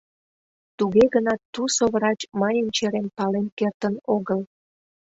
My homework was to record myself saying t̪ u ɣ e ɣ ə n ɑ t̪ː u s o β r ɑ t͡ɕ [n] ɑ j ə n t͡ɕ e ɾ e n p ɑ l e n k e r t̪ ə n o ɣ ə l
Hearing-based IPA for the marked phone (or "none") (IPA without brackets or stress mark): m